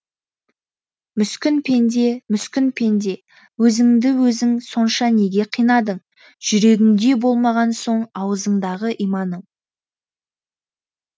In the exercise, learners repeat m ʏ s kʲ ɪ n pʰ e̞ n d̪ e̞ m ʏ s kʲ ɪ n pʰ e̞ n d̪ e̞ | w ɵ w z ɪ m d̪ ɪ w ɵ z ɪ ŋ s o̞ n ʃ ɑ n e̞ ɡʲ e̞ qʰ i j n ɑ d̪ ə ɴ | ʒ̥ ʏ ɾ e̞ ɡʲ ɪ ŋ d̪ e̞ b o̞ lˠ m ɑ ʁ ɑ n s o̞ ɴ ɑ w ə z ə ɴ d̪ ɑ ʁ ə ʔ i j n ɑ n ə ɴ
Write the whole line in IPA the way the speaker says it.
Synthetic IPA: m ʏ s kʲ ɪ n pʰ e̞ n d̪ e̞ m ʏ s kʲ ɪ n pʰ e̞ n d̪ e̞ | w ɵ z ɪ ŋ d̪ ɪ w ɵ z ɪ ŋ s o̞ n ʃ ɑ n e̞ ɡʲ e̞ qʰ i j n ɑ d̪ ə ɴ | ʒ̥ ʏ ɾ e̞ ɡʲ ɪ ŋ d̪ e̞ b o̞ lˠ m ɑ ʁ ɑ n s o̞ ɴ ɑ w ə z ə ɴ d̪ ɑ ʁ ə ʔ i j m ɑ n ə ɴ